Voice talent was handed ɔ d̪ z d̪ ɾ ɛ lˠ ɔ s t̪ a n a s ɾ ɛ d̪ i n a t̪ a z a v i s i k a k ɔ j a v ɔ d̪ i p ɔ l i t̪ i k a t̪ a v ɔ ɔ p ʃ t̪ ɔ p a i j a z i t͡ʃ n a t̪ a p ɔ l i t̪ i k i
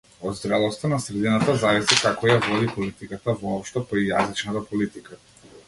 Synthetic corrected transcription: ɔ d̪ z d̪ ɾ ɛ lˠ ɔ s t̪ a n a s ɾ ɛ d̪ i n a t̪ a z a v i s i k a k ɔ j a v ɔ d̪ i p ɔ l i t̪ i k a t̪ a v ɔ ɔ p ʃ t̪ ɔ p a i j a z i t͡ʃ n a t̪ a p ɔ l i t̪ i k a